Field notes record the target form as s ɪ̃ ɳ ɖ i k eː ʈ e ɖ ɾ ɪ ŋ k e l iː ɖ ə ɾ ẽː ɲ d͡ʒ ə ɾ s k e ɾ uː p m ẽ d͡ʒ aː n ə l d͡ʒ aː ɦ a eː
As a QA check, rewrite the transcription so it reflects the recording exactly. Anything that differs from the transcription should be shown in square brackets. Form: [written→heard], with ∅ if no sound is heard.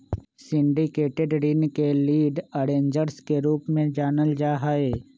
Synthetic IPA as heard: s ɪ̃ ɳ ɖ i k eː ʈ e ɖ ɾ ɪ [ŋ→n] k e l iː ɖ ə ɾ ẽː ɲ d͡ʒ ə ɾ s k e ɾ uː p m ẽ d͡ʒ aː n ə l d͡ʒ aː ɦ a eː